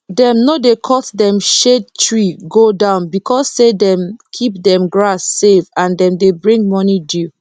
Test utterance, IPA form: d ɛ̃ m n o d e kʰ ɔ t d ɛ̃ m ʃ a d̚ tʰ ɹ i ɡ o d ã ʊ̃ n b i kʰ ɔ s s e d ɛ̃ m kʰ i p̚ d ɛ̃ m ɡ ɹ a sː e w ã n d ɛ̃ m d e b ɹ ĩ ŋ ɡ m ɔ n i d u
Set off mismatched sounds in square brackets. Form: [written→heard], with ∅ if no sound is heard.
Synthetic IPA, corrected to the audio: d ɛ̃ m n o d e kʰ ɔ t d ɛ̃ m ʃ [a→e] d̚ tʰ ɹ i ɡ o d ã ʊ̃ n b i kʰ ɔ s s e d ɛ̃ m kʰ i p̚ d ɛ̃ m ɡ ɹ a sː e [w→v] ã n d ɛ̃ m d e b ɹ ĩ ŋ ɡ m ɔ n i d u